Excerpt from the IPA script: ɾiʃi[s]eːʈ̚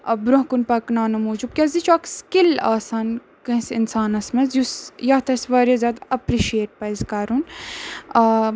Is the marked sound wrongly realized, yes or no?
yes